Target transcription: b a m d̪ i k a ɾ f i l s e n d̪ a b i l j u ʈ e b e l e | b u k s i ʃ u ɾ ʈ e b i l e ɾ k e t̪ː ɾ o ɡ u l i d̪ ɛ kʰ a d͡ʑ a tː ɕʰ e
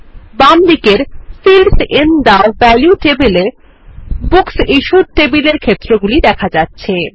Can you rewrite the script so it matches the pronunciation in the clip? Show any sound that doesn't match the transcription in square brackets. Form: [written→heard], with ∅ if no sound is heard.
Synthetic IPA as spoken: b a m d̪ i k [a→e] ɾ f i l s e n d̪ a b [i→ɛ] l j u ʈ e b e l e | b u k s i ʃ u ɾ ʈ e b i l e ɾ [k→kʰ] e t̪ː ɾ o ɡ u l i d̪ ɛ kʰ a d͡ʑ a tː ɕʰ e